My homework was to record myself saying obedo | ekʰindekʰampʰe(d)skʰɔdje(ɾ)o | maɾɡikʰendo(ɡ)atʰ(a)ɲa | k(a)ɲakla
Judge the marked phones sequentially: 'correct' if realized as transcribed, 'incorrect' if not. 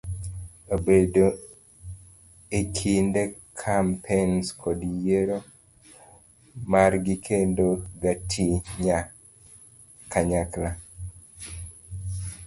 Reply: incorrect, correct, correct, incorrect, correct

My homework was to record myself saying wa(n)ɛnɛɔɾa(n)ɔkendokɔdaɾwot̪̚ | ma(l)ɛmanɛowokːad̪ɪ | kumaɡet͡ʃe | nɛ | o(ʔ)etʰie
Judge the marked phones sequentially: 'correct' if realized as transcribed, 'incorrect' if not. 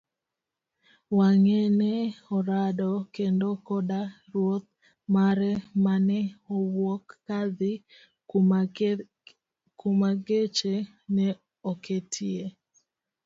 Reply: incorrect, incorrect, incorrect, incorrect

